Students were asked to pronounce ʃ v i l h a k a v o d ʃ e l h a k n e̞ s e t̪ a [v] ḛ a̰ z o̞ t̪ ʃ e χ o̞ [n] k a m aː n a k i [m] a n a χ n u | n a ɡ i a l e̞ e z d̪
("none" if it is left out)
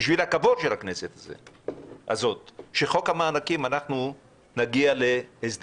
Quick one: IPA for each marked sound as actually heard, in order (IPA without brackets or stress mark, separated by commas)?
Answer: z, none, m